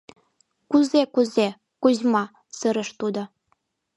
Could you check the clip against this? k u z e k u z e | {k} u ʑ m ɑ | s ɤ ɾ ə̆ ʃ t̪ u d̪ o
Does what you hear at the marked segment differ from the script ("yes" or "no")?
no